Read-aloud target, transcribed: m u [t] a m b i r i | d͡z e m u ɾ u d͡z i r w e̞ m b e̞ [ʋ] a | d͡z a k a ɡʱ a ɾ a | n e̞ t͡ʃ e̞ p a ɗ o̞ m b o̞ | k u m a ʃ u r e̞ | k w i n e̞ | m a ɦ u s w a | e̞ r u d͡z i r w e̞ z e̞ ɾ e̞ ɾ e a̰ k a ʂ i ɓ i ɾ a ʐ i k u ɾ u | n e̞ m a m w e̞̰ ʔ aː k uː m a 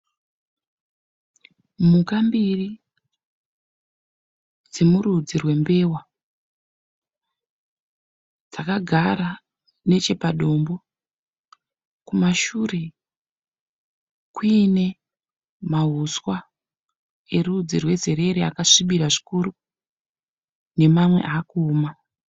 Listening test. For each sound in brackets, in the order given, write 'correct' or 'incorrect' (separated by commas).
incorrect, incorrect